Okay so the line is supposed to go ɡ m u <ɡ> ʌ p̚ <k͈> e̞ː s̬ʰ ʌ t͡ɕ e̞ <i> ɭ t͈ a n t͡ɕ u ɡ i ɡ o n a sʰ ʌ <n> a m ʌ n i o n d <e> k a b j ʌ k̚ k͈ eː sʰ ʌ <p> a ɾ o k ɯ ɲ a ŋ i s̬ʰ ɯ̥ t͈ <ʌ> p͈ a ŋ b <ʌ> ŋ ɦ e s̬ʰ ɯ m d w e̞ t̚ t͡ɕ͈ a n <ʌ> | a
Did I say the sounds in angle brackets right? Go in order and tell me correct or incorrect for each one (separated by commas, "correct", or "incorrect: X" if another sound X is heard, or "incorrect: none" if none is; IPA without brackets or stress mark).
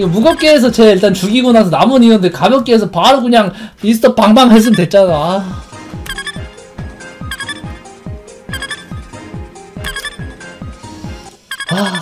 correct, correct, correct, correct, correct, correct, correct, incorrect: a, incorrect: a